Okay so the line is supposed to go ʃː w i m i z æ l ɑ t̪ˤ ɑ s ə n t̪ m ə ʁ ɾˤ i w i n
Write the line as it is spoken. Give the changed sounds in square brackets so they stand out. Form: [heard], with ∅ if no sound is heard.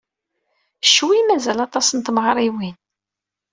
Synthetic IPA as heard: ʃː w i m [æ] z æ l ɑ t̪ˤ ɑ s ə n t̪ m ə ʁ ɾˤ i w i n